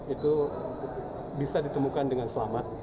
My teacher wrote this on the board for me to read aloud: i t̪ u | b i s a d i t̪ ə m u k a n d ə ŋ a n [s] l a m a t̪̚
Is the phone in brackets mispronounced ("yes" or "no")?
no